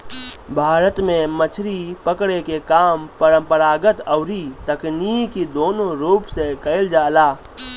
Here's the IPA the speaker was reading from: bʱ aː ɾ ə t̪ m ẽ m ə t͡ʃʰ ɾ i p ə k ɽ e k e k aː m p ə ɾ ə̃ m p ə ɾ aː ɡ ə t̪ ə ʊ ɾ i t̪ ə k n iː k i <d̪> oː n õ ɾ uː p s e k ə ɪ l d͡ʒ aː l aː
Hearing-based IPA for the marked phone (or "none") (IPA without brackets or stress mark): d̪